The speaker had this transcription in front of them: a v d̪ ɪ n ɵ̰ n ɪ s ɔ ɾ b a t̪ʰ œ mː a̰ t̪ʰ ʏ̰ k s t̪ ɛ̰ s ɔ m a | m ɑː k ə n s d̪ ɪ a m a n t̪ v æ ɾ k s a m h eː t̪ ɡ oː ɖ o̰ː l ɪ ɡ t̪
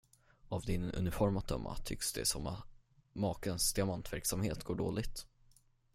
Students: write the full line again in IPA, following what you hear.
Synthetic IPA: a v d̪ ɪ n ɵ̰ n ɪ f ɔ ɾ m a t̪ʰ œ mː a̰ t̪ʰ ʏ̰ k s d̪ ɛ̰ s ɔ m a | m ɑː k ə n s d̪ ɪ a m a n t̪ v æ ɾ k s a m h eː t̪ ɡ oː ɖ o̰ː l ɪ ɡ t̪